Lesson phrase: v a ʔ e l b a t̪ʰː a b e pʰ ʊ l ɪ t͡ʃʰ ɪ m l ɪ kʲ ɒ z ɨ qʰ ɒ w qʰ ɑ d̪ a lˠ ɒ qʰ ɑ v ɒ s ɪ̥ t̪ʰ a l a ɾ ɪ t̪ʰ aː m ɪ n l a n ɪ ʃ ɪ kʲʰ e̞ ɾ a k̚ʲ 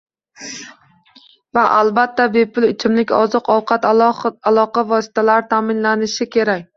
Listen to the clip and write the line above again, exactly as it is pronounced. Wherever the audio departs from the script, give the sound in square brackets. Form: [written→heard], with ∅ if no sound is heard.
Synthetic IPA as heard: v a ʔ [e→a] l b a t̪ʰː a b e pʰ ʊ l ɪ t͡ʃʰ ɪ m l ɪ kʲ ɒ z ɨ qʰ ɒ w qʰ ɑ [d̪→t̪] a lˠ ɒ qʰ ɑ v ɒ s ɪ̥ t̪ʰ a l a ɾ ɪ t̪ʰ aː m ɪ n l a n ɪ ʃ ɪ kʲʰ e̞ ɾ a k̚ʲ